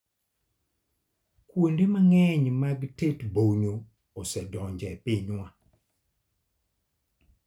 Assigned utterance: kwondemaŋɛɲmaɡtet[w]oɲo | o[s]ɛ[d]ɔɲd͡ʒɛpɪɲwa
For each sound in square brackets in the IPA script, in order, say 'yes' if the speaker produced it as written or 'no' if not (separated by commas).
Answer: no, yes, yes